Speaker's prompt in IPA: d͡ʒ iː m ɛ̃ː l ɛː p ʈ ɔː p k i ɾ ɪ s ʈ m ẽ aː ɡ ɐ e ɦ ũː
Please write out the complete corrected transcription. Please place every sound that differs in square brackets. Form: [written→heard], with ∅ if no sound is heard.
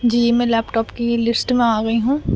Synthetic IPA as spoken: d͡ʒ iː m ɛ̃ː l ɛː p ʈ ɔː p k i [ɾ→l] ɪ s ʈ m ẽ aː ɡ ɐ [e→i] ɦ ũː